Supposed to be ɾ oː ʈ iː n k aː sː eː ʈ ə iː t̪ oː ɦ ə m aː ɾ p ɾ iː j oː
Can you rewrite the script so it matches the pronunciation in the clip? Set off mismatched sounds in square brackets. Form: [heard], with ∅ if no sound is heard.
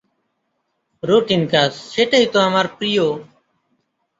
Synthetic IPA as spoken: ɾ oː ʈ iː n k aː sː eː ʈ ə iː t̪ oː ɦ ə m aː ɾ p ɾ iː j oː